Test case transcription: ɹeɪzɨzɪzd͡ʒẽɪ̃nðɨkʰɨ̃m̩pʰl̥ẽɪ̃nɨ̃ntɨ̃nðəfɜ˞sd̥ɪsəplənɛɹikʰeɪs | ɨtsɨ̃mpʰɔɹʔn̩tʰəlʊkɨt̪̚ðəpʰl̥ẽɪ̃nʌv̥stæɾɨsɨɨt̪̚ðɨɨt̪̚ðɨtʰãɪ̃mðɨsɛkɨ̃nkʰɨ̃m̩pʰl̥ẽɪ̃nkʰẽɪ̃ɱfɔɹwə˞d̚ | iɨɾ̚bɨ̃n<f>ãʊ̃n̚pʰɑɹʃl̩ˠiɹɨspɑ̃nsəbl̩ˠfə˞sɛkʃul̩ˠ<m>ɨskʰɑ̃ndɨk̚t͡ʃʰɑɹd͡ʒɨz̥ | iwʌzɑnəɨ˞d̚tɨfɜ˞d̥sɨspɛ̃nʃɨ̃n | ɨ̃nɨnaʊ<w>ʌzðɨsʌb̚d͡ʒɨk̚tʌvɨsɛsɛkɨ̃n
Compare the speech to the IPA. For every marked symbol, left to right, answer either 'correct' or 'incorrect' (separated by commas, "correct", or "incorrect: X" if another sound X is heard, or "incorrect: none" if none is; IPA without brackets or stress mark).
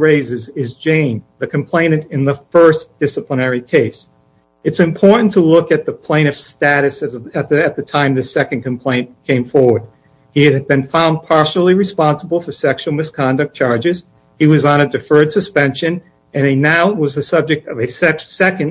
correct, correct, correct